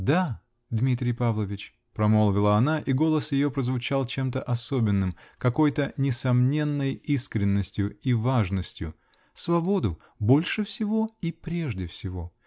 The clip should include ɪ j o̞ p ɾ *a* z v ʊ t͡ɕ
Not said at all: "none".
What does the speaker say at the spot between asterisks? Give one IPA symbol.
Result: ə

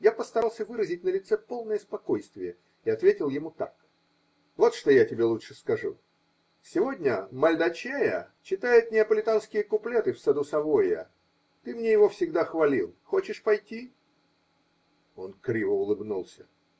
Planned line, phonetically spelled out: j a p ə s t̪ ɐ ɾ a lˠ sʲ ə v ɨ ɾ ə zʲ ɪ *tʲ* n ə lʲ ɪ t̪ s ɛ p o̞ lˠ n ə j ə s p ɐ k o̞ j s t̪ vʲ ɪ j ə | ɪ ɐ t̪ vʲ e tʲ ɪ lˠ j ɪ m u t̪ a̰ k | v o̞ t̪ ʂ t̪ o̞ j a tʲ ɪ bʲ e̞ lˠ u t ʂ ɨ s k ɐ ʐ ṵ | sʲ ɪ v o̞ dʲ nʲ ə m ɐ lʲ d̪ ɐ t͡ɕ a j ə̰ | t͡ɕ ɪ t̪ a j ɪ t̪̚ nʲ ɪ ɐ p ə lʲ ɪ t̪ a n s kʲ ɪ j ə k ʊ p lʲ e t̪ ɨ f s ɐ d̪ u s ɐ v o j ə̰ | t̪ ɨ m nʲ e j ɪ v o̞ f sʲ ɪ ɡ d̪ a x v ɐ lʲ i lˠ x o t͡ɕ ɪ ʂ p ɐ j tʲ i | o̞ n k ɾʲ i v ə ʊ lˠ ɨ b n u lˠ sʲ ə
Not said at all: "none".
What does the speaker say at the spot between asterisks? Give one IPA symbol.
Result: tʲ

